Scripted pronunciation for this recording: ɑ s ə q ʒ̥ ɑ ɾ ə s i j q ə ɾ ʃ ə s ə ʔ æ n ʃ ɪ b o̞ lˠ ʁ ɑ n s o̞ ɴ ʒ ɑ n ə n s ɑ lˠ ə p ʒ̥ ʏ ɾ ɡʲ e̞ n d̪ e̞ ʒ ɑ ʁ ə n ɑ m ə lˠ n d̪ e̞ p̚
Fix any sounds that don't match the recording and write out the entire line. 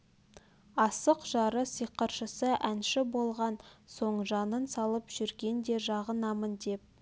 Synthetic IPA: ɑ s ə q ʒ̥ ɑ ɾ ə s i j q ə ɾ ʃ ə s ə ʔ æ n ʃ ɪ b o̞ lˠ ʁ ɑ n s o̞ ɴ ʒ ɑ n ə n s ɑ lˠ ə p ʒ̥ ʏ ɾ ɡʲ e̞ n d̪ e̞ ʒ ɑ ʁ ə n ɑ m ə n d̪ e̞ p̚